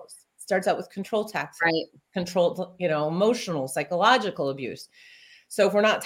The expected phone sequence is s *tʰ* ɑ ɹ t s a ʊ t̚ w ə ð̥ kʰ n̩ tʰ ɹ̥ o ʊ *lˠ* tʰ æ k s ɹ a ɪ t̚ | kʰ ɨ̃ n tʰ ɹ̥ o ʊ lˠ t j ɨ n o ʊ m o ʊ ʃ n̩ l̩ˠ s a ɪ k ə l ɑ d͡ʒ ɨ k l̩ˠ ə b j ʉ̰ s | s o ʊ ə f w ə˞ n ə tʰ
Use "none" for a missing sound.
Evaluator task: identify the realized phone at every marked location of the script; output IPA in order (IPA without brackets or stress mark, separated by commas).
t, lˠ